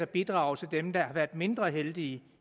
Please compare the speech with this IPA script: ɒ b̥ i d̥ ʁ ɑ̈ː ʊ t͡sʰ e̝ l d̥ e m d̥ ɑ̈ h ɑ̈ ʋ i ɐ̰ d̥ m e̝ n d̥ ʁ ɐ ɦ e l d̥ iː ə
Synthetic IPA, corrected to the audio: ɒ b̥ i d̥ ʁ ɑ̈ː ʊ t͡sʰ e̝ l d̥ e m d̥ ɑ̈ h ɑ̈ ʋ æ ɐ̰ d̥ m e̝ n d̥ ʁ ɐ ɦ e l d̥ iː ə